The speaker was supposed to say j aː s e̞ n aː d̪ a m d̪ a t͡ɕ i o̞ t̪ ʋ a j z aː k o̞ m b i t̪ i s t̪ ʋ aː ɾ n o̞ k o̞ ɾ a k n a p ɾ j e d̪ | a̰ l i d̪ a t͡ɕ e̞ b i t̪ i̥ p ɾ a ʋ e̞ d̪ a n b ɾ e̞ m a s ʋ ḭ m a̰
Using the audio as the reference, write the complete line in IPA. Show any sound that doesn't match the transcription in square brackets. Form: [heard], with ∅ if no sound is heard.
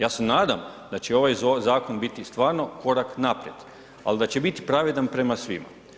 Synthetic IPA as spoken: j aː s e̞ n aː d̪ a m d̪ a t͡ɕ [e] o̞ [∅] ʋ a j z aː k o̞ [n] b i t̪ i s t̪ ʋ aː ɾ n o̞ k o̞ ɾ a k n a p ɾ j e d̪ | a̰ l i d̪ a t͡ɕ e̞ b i t̪ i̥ p ɾ a ʋ e̞ d̪ a n [p] ɾ e̞ m a s ʋ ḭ m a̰